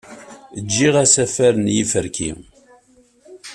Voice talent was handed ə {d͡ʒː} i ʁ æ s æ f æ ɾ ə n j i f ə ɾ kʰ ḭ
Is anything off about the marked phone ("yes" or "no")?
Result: no